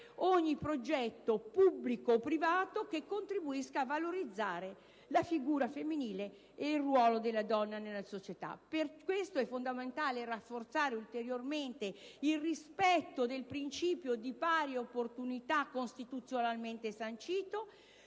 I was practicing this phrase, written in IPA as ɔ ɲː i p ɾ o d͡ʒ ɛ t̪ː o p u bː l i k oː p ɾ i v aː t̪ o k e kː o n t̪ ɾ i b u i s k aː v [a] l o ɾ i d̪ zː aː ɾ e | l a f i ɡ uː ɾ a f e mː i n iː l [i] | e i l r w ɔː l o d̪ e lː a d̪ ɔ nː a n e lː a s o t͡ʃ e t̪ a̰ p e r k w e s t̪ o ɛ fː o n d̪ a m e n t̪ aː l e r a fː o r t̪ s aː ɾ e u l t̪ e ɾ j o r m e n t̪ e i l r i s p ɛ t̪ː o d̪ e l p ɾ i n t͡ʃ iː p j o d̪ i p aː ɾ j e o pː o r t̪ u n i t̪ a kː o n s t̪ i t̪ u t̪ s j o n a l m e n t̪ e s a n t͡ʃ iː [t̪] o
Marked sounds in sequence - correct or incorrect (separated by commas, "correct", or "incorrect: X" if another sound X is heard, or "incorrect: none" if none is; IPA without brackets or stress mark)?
correct, incorrect: e, correct